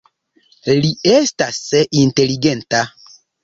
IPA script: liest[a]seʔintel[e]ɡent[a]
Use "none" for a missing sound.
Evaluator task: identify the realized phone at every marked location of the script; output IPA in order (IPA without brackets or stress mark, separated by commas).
a, i, a